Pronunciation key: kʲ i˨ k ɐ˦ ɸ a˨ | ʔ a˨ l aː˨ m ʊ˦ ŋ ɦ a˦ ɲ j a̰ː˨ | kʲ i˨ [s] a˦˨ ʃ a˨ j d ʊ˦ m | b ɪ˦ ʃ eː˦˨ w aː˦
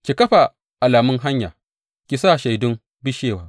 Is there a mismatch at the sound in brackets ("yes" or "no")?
no